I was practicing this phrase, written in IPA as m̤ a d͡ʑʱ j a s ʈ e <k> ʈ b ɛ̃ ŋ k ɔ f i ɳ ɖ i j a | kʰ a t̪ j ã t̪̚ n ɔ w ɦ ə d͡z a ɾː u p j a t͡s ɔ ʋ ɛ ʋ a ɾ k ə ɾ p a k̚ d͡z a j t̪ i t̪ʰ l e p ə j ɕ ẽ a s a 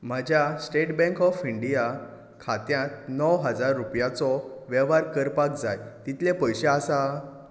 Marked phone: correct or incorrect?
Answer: incorrect